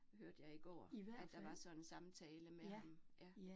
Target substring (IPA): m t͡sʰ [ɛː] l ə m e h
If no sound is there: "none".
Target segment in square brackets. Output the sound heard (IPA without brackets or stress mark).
ɛː